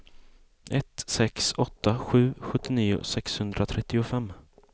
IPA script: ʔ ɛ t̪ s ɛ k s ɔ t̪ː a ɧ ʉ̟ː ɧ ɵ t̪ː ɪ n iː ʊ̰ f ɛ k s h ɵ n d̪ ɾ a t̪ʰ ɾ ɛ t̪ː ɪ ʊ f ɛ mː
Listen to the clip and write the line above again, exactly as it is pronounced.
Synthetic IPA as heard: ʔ ɛ t̪ s ɛ k s ɔ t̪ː a ɧ ʉ̟ː ɧ ɵ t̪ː ɪ n iː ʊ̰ s ɛ k s h ɵ n d̪ ɾ a t̪ʰ ɾ ɛ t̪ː ɪ ʊ f ɛ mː